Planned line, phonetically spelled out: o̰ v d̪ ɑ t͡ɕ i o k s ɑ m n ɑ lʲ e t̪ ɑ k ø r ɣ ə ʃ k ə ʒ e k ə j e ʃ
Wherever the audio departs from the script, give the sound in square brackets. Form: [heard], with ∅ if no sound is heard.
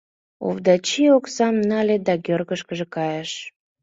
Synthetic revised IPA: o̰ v d̪ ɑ t͡ɕ i o k s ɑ m n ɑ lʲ e [d̪] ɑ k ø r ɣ ə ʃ k ə ʒ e k [ɑ] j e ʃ